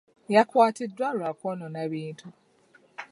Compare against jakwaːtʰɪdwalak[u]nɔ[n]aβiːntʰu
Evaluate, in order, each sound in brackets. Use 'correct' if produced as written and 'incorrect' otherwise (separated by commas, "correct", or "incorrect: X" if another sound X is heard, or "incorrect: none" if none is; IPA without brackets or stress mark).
incorrect: ɔ, correct